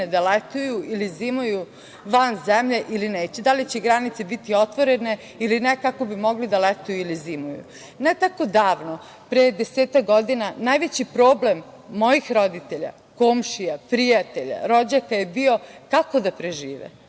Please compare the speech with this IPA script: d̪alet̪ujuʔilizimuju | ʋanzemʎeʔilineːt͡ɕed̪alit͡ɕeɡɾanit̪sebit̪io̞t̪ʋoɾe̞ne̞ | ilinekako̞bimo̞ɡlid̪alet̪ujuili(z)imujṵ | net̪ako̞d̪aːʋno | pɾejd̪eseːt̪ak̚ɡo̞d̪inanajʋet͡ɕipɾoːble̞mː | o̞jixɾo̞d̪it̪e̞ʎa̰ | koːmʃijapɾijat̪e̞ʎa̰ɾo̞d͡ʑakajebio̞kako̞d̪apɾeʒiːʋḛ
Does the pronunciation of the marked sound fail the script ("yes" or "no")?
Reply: no